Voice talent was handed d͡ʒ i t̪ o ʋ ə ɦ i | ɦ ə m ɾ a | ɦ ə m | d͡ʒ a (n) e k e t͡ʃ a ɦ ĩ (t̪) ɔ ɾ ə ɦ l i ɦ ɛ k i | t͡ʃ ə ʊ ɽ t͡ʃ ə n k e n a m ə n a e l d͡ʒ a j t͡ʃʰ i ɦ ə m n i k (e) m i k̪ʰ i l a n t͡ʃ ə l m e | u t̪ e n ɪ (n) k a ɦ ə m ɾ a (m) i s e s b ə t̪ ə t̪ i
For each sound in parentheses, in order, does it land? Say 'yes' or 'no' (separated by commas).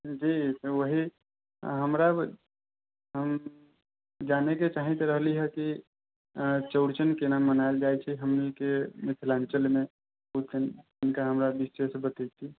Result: yes, yes, yes, yes, no